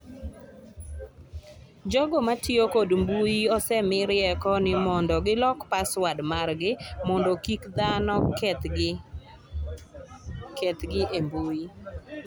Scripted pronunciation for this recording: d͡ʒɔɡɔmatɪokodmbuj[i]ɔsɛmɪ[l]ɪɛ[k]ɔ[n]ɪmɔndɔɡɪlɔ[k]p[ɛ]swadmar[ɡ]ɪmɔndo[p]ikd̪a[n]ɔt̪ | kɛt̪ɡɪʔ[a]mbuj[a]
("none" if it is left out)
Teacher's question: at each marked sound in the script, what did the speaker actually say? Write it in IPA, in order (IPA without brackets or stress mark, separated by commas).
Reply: i, ɾ, k, n, k, a, ɡ, k, n, e, i